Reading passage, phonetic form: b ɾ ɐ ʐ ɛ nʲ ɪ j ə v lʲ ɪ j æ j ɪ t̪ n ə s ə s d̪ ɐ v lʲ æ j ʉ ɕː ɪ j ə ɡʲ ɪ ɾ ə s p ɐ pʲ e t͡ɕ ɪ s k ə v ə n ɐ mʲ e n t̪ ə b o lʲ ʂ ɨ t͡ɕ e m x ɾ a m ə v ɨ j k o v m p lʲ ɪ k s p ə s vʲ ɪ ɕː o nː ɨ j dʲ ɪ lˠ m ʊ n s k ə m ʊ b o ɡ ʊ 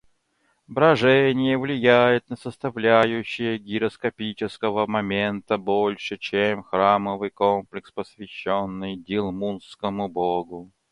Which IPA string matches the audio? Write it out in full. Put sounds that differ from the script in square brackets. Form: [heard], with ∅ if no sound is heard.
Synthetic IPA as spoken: b ɾ ɐ ʐ ɛ nʲ ɪ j ə v lʲ ɪ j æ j ɪ t̪ n ə s ə s [t̪] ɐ v lʲ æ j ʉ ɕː ɪ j ə ɡʲ ɪ ɾ ə s [k] ɐ pʲ [i] t͡ɕ ɪ s k ə v ə [m] ɐ mʲ e n t̪ ə b o lʲ ʂ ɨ t͡ɕ e m x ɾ a m ə v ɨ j k o [∅] m p lʲ ɪ k s p ə s vʲ ɪ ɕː o nː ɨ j dʲ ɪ lˠ m [u] n s k ə m ʊ b o ɡ ʊ